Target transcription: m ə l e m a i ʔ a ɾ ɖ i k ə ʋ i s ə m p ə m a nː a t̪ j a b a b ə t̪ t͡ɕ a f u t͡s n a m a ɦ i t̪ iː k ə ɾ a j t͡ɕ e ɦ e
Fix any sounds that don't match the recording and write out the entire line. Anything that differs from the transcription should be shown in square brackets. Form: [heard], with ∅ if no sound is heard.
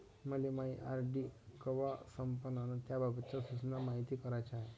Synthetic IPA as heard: m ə l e m a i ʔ a ɾ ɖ i k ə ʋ [a] s ə m p ə [n] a [n] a t̪ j a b a b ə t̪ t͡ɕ a [s] u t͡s n a m a ɦ i t̪ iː k ə ɾ a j t͡ɕ [a] ɦ e